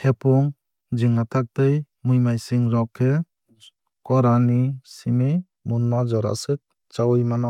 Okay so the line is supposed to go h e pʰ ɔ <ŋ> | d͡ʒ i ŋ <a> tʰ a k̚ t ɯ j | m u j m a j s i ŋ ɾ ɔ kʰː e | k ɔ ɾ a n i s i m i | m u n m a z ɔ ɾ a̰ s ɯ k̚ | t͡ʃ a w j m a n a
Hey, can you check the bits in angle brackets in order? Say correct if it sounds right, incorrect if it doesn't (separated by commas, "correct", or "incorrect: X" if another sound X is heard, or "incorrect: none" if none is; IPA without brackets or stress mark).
correct, correct